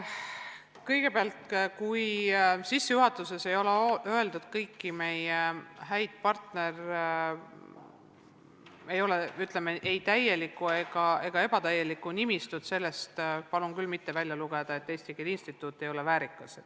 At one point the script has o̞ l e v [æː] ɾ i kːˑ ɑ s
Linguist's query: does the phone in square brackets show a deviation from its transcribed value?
no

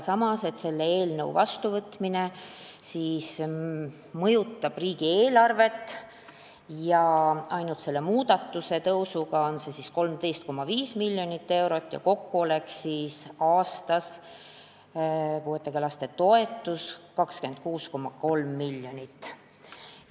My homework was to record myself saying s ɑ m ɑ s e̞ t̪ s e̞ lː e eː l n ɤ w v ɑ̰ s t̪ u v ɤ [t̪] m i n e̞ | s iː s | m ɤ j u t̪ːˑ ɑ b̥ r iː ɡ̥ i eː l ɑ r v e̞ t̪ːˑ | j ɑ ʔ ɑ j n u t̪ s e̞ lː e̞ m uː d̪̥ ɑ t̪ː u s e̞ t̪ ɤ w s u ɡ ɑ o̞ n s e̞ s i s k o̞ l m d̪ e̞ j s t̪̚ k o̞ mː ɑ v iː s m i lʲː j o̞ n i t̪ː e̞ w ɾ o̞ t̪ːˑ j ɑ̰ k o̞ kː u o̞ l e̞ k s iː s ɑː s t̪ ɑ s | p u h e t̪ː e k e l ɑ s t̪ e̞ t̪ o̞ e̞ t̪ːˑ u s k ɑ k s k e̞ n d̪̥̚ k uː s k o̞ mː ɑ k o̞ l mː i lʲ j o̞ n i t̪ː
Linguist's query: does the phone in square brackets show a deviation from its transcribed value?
no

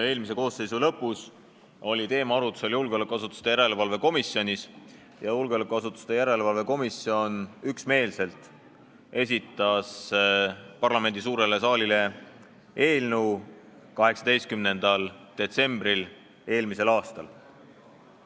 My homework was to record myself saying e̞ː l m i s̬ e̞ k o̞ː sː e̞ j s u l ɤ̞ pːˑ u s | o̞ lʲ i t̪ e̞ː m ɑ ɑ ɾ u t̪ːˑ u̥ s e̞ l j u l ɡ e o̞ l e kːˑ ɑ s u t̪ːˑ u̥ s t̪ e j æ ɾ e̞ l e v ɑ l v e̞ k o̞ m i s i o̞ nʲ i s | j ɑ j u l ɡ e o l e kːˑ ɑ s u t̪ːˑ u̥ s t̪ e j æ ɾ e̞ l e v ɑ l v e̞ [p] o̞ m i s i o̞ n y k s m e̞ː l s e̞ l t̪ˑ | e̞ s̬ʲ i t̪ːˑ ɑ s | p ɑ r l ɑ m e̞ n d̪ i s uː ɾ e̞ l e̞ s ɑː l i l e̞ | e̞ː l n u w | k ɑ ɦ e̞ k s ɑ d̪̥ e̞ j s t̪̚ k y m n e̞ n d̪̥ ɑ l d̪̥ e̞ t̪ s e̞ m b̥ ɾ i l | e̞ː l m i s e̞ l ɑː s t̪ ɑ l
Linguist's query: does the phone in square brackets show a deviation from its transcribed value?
yes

